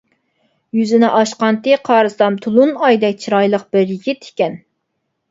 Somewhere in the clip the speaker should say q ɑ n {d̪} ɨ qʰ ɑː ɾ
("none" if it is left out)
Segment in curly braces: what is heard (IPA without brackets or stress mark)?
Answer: t̪